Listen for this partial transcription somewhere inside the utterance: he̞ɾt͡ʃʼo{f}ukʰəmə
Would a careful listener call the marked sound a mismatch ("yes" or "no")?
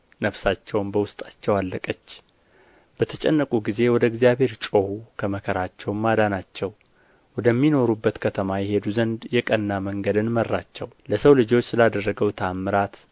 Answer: yes